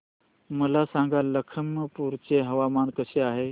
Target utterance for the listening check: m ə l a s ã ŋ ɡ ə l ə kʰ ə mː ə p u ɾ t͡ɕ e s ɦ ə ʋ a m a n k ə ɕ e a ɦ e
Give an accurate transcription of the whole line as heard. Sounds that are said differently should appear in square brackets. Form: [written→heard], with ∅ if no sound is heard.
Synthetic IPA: m ə l a s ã ŋ ɡ [ə→a] l ə kʰ ə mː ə p u ɾ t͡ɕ e [s→∅] ɦ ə ʋ a m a n k ə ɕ e a ɦ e